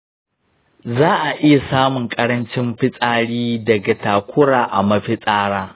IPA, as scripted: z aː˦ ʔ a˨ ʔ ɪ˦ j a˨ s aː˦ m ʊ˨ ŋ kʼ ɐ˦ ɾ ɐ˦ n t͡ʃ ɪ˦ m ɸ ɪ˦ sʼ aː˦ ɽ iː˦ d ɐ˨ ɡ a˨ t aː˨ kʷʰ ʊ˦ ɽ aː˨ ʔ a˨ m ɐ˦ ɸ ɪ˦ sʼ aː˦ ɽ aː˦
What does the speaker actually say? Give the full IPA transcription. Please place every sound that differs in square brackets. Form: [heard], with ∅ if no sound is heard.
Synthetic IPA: z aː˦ ʔ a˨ ʔ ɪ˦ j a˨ s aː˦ m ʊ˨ ŋ kʼ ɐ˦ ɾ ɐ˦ n t͡ʃ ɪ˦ m ɸ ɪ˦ sʼ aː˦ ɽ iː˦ d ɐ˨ ɡ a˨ t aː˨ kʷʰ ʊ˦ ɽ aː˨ ʔ a˨ m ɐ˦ ɸ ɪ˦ sʼ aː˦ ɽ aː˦